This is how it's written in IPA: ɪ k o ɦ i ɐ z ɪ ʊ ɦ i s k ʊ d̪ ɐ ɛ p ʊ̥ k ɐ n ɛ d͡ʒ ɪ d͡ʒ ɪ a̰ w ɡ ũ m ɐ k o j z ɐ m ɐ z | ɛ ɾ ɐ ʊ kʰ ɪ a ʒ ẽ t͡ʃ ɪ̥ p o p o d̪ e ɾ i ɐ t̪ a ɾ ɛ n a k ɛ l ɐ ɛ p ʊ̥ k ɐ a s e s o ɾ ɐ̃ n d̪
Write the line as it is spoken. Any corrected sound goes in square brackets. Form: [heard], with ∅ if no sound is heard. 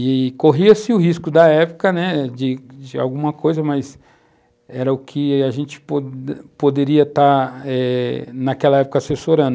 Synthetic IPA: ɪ k o ɦ i ɐ [s] ɪ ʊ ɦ i s k ʊ d̪ ɐ ɛ p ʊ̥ k ɐ n ɛ d͡ʒ ɪ d͡ʒ ɪ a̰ w ɡ ũ m ɐ k o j z ɐ m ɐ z | ɛ ɾ ɐ ʊ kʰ ɪ a ʒ ẽ t͡ʃ ɪ̥ p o p o d̪ e ɾ i ɐ t̪ a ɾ ɛ n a k ɛ l ɐ ɛ p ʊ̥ k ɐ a s e s o ɾ ɐ̃ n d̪